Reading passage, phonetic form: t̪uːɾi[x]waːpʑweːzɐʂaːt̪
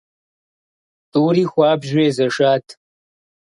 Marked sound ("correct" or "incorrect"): correct